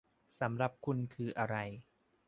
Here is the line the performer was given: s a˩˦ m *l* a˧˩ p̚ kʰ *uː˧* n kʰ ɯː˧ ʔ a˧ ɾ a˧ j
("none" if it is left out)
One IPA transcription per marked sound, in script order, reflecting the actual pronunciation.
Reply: ɾ, u˧

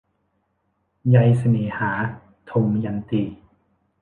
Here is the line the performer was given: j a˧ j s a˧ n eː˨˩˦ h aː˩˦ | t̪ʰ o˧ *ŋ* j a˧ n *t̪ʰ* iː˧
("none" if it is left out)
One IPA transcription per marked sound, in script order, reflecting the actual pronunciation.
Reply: m, t̪

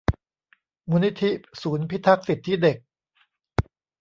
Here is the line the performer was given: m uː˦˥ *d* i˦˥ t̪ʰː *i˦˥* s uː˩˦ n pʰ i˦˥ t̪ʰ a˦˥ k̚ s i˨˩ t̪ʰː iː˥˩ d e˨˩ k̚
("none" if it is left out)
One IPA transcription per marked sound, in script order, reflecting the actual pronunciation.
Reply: n, i˦˥

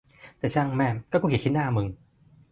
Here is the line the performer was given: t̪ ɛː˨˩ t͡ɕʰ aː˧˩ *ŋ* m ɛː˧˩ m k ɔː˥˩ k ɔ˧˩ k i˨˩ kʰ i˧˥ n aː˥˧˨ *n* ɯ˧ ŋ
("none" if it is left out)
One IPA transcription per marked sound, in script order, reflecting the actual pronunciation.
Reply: ŋ, m

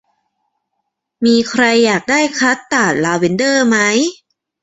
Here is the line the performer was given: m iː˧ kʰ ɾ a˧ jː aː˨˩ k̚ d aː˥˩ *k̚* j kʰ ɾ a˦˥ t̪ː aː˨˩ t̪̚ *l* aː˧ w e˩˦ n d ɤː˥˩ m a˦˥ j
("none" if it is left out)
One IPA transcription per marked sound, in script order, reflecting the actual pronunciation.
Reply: none, l

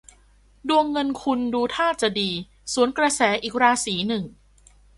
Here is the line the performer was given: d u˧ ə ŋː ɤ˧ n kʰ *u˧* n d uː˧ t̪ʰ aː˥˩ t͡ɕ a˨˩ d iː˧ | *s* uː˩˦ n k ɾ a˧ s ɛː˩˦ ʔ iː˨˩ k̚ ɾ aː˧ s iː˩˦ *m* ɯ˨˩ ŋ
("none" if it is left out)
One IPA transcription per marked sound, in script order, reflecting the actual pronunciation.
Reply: u˧, s, n

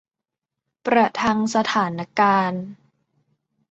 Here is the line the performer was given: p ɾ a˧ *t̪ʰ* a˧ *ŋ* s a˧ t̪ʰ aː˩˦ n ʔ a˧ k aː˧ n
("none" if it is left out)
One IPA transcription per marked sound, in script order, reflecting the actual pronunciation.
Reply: t̪ʰ, ŋ

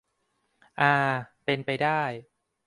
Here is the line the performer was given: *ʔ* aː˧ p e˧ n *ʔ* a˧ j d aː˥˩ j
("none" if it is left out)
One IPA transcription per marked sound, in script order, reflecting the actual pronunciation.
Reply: ʔ, p

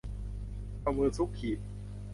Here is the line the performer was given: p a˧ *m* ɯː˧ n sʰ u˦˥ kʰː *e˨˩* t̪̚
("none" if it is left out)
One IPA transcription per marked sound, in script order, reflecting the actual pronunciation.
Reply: m, i˨˩

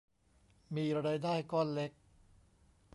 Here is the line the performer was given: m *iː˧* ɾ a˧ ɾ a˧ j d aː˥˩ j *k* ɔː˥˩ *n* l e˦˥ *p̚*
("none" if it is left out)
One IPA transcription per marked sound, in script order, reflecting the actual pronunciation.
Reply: iː˧, k, n, k̚

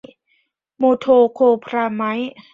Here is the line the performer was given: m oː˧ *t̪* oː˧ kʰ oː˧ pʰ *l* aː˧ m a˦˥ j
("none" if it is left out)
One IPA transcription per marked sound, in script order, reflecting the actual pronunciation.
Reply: t̪ʰ, ɾ

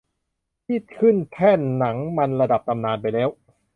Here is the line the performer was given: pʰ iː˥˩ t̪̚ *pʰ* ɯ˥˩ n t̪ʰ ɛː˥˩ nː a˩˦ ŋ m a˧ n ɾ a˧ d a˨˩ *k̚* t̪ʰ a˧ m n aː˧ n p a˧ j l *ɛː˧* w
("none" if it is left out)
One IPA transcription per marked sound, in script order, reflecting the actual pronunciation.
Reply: kʰ, p̚, ɛː˦˥

